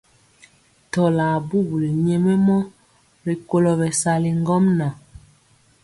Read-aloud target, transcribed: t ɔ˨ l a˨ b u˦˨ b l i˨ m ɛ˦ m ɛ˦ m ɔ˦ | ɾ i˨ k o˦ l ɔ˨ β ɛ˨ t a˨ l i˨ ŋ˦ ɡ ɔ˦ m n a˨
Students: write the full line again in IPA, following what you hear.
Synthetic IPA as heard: t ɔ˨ l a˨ b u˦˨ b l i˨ ɲ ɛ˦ m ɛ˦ m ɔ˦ | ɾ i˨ k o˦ l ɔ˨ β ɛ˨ s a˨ l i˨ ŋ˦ ɡ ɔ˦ m n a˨

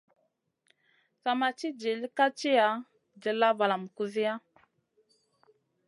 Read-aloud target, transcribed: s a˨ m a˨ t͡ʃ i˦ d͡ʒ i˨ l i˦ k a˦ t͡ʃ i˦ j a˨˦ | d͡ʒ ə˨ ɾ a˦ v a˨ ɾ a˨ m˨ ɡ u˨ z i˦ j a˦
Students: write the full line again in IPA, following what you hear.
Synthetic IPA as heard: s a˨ m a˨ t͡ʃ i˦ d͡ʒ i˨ l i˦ k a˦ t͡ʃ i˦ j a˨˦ | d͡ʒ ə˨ l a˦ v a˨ l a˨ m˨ k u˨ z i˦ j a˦

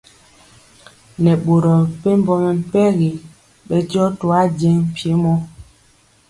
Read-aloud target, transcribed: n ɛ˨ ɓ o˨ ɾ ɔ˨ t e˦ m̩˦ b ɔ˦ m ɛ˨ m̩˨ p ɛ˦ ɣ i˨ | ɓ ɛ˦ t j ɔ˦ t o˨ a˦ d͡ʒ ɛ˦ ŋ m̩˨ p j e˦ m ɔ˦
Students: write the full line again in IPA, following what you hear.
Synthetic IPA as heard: n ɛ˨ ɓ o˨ ɾ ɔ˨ p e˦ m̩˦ b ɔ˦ m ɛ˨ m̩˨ p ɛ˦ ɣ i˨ | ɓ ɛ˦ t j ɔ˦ t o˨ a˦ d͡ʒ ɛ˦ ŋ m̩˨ p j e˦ m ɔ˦

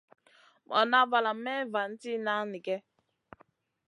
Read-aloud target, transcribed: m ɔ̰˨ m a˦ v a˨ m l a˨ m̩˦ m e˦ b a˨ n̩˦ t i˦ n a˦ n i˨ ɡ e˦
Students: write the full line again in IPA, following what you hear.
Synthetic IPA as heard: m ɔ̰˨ n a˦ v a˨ l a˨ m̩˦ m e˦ v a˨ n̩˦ t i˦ n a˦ n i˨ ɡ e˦

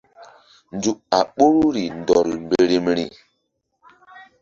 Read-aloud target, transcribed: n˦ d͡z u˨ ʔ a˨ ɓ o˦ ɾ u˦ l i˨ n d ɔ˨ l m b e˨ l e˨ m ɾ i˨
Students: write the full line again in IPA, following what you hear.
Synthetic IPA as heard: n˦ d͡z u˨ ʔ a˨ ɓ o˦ ɾ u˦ ɾ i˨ n d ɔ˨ l m b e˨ ɾ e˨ m ɾ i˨

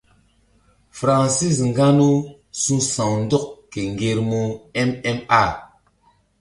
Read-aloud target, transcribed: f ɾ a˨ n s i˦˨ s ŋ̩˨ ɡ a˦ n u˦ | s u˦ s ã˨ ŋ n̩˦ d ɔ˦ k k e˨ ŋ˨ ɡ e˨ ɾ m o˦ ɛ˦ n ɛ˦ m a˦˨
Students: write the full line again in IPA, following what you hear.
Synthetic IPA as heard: f ɾ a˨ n s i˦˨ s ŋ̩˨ ɡ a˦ n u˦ | s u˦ s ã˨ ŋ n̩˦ d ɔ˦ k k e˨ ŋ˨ ɡ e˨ ɾ m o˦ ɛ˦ m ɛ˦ m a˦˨

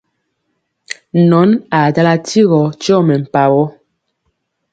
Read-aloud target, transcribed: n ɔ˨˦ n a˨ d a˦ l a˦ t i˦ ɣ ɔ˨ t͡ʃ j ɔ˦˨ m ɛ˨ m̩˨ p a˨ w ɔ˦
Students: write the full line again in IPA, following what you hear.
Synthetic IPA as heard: n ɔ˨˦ n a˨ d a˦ l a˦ t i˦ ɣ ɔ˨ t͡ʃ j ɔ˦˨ m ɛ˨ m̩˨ p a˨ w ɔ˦

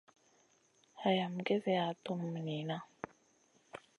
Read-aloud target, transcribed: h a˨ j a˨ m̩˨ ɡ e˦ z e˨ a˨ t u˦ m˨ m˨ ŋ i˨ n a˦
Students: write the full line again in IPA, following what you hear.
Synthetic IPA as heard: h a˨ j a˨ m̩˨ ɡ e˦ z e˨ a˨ t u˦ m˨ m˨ n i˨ n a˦

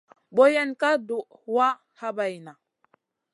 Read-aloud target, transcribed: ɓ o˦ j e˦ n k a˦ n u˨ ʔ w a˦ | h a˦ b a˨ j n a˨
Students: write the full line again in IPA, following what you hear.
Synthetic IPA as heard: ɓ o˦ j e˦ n k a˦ d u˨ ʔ w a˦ | h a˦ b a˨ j n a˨

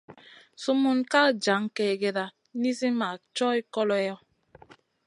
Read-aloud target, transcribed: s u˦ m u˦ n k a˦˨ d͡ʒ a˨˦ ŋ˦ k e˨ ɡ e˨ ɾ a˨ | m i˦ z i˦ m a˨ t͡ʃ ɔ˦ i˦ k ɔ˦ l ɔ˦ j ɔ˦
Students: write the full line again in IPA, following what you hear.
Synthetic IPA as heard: s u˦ m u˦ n k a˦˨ d͡ʒ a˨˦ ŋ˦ k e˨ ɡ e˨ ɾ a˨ | n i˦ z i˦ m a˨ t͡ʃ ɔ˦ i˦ k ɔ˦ l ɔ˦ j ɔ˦

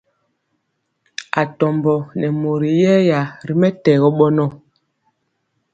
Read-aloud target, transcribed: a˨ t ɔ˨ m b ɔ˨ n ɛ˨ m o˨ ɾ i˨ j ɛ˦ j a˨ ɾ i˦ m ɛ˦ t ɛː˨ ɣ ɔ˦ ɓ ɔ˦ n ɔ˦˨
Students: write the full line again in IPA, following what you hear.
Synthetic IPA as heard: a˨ t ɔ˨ m b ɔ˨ n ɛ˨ m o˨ ɾ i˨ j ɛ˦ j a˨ ɾ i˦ m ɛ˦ t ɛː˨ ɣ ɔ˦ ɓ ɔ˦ n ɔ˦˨

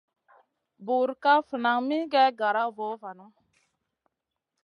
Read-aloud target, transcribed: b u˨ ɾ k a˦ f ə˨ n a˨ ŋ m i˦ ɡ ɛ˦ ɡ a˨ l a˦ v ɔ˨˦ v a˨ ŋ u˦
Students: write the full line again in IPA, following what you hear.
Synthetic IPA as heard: b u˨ ɾ k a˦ f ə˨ n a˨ ŋ m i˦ ɡ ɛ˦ ɡ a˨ ɾ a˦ v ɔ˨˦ v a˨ n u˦

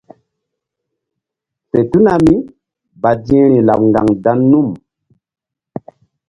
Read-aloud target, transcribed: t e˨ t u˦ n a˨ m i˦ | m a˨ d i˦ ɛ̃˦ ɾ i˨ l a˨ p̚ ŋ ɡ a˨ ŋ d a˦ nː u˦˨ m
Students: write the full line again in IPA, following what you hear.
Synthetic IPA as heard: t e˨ t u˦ n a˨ m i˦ | b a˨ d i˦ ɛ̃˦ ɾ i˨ l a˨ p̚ ŋ ɡ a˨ ŋ d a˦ nː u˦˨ m

